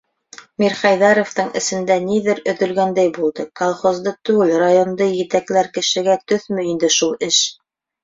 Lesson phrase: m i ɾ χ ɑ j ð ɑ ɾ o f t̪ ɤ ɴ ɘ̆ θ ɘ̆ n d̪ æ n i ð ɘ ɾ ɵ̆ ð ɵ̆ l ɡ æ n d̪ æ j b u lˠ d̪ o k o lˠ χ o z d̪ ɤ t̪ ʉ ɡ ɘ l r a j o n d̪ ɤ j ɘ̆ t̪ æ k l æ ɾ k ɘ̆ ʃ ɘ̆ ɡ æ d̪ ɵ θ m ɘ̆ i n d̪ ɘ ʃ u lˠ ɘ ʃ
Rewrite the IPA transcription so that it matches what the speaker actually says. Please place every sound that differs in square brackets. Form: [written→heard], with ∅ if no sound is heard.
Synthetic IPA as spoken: m i ɾ χ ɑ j ð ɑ ɾ o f t̪ ɤ ɴ ɘ̆ [θ→s] ɘ̆ n d̪ æ n i ð ɘ ɾ ɵ̆ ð ɵ̆ l ɡ æ n d̪ æ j b u lˠ d̪ [o→ɤ] k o lˠ χ o z d̪ ɤ t̪ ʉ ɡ ɘ l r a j o n d̪ ɤ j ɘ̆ t̪ æ k l æ ɾ k ɘ̆ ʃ ɘ̆ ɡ æ [d̪→t̪] ɵ θ m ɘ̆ i n d̪ ɘ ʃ u lˠ ɘ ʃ

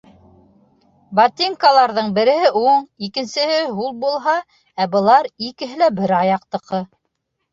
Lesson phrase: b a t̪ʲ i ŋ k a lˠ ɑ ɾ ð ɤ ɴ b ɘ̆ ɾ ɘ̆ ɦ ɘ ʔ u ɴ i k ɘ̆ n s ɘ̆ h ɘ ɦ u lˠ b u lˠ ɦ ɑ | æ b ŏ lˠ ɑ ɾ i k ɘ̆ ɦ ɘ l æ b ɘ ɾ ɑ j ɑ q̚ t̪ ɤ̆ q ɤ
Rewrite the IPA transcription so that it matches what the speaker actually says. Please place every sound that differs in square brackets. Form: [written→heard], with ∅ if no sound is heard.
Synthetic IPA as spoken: b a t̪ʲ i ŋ k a lˠ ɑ ɾ ð ɤ ɴ b ɘ̆ ɾ ɘ̆ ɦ ɘ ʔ u ɴ i k ɘ̆ n s ɘ̆ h ɘ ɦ u lˠ b u lˠ ɦ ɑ | æ b [ŏ→ɤ̆] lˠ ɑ ɾ i k ɘ̆ ɦ ɘ l æ b ɘ ɾ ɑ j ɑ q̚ t̪ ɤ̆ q ɤ

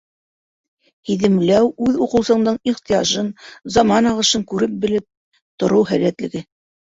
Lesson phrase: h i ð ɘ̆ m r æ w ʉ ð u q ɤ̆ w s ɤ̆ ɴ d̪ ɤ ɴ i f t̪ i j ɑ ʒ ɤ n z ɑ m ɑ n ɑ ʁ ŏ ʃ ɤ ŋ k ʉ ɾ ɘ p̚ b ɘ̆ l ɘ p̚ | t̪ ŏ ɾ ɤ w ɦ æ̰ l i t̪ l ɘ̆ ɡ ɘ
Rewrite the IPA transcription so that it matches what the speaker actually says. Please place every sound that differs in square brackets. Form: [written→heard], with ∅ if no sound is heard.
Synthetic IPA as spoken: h i ð ɘ̆ m [r→l] æ w ʉ ð u q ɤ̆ w s ɤ̆ ɴ d̪ ɤ ɴ i [f→χ] t̪ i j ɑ ʒ ɤ n z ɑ m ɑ n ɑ ʁ [ŏ→ɤ̆] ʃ ɤ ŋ k ʉ ɾ ɘ p̚ b ɘ̆ l ɘ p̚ | t̪ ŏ ɾ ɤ w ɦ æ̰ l [i→æ] t̪ l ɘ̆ ɡ ɘ

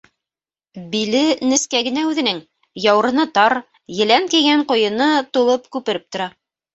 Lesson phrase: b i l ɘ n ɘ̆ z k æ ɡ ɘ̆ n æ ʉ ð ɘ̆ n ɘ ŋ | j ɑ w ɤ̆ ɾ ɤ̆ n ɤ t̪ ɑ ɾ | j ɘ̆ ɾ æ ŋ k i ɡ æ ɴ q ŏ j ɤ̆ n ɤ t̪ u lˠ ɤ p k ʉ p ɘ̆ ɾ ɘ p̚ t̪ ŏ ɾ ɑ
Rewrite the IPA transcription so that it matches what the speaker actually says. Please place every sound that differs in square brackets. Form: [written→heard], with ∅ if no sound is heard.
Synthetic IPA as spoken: b i l ɘ n ɘ̆ [z→s] k æ ɡ ɘ̆ n æ ʉ ð ɘ̆ n ɘ ŋ | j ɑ w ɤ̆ ɾ ɤ̆ n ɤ t̪ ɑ ɾ | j ɘ̆ [ɾ→l] æ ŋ k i ɡ æ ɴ q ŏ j ɤ̆ n ɤ t̪ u lˠ ɤ p k ʉ p ɘ̆ ɾ ɘ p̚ t̪ ŏ ɾ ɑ

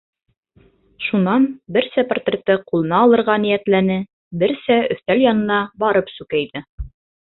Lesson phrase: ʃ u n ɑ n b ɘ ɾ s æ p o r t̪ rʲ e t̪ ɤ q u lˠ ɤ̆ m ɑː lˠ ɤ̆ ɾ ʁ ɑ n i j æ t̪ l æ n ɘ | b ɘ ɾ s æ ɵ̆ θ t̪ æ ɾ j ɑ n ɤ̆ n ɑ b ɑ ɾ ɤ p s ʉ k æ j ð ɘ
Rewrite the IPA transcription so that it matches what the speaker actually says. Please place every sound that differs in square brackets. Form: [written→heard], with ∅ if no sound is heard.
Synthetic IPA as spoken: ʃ u n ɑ n b ɘ ɾ s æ p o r t̪ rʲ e t̪ ɤ q u lˠ ɤ̆ [m→n] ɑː lˠ ɤ̆ ɾ ʁ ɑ n i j æ t̪ l æ n ɘ | b ɘ ɾ s æ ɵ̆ θ t̪ æ [ɾ→l] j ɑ n ɤ̆ n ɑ b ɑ ɾ ɤ p s ʉ k æ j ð ɘ

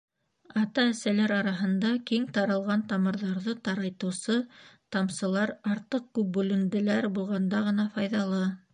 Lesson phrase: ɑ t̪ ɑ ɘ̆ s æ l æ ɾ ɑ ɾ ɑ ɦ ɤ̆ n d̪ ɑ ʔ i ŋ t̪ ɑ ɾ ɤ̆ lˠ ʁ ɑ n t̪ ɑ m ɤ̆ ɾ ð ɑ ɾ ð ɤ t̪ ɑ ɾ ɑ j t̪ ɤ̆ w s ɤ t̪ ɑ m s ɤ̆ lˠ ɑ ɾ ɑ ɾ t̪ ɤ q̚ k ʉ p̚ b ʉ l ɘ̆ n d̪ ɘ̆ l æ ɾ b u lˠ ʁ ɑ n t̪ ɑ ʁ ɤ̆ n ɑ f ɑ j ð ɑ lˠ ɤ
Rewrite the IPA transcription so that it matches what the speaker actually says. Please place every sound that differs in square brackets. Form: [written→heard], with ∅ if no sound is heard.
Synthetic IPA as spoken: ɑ t̪ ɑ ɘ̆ s æ l æ ɾ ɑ ɾ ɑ ɦ ɤ̆ n d̪ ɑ [ʔ→k] i ŋ t̪ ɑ ɾ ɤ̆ lˠ ʁ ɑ n t̪ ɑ m ɤ̆ ɾ ð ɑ ɾ ð ɤ t̪ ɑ ɾ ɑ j t̪ ɤ̆ w s ɤ t̪ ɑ m s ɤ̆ lˠ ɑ ɾ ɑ ɾ t̪ ɤ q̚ k ʉ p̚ b ʉ l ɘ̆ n d̪ ɘ̆ l æ ɾ b u lˠ ʁ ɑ n [t̪→d̪] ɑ ʁ ɤ̆ n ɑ f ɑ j ð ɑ lˠ ɤ

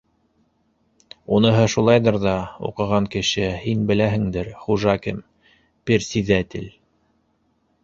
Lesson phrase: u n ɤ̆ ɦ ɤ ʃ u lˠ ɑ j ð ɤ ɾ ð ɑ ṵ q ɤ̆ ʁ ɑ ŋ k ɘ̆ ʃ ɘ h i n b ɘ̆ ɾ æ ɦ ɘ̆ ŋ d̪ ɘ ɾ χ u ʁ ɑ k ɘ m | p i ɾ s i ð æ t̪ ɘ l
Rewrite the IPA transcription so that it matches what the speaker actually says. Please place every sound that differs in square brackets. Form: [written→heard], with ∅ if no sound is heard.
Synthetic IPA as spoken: u n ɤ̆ ɦ ɤ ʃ u lˠ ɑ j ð ɤ ɾ ð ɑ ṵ q ɤ̆ ʁ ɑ ŋ k ɘ̆ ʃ ɘ h i n b ɘ̆ [ɾ→l] æ ɦ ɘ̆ ŋ d̪ ɘ ɾ χ u [ʁ→ʒ] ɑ k ɘ m | p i ɾ s i ð æ t̪ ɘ l

